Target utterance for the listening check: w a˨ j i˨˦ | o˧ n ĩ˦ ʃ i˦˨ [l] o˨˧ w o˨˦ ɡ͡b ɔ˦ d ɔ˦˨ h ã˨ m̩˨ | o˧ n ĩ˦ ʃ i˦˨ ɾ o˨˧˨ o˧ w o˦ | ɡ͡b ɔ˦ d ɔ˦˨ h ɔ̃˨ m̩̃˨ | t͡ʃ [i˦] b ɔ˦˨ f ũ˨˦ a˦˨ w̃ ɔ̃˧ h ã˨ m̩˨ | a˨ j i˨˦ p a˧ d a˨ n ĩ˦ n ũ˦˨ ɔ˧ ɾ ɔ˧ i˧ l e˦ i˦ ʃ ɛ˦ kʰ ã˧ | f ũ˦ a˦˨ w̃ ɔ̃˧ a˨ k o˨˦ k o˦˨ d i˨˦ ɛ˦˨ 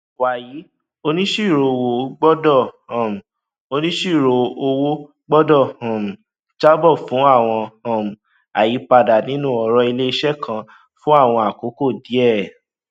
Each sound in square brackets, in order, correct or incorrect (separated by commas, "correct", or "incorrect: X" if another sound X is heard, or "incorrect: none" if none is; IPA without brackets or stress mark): incorrect: ɾ, incorrect: a˦